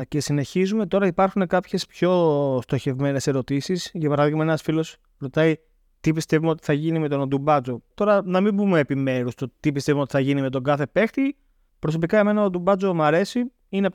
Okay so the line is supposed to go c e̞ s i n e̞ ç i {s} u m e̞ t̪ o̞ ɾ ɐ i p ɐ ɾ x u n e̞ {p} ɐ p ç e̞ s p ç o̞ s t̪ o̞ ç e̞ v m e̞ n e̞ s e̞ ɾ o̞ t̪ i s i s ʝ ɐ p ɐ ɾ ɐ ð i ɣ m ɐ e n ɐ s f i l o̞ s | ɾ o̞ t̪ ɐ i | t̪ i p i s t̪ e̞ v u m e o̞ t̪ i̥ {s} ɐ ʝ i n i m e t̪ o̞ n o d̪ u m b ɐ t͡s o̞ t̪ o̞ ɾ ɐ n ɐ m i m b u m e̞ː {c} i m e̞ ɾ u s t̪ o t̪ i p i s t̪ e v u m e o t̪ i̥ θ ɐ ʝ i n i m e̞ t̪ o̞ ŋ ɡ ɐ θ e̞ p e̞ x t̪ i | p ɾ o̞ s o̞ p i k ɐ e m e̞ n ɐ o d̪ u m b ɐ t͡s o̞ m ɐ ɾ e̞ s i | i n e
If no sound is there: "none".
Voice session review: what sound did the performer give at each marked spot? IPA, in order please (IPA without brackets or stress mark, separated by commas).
z, k, θ, p